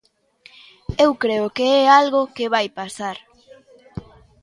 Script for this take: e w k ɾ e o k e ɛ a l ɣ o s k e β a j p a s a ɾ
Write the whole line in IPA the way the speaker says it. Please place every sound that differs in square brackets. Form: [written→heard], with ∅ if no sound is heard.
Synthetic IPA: e w k ɾ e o k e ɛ a l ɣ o [s→∅] k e β a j p a s a ɾ